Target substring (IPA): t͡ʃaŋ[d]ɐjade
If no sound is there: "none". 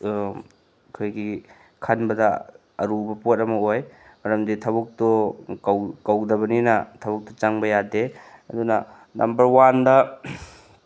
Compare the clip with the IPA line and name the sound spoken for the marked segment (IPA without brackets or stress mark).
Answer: b